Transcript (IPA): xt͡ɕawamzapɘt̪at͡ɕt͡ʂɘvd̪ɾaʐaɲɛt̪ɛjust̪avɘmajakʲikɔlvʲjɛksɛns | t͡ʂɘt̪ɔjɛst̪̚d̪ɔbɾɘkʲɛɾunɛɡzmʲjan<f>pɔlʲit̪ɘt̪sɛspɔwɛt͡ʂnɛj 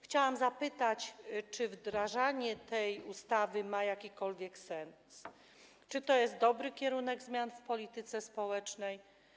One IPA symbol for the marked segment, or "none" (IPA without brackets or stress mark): f